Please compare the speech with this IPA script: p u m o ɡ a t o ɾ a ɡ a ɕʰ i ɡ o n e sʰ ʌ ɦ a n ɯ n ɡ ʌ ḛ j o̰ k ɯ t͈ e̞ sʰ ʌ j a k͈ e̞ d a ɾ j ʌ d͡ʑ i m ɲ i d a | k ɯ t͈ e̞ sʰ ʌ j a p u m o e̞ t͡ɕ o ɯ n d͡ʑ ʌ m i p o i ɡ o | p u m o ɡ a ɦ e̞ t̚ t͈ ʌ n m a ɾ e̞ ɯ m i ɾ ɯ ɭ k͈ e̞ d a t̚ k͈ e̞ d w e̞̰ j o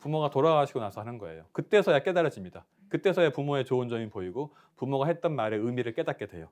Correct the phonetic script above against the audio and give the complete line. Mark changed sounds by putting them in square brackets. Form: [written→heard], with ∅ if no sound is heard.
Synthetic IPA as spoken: p u m o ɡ a t o ɾ a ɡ a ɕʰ i ɡ o n [e→a] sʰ ʌ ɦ a n ɯ n ɡ ʌ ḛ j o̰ k ɯ t͈ e̞ sʰ ʌ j a k͈ e̞ d a ɾ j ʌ d͡ʑ i m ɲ i d a | k ɯ t͈ e̞ sʰ ʌ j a p u m o e̞ t͡ɕ o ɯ n d͡ʑ ʌ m i p o i ɡ o | p u m o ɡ a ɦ e̞ t̚ t͈ ʌ n m a ɾ e̞ ɯ m i ɾ ɯ ɭ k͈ e̞ d a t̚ k͈ e̞ d w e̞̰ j o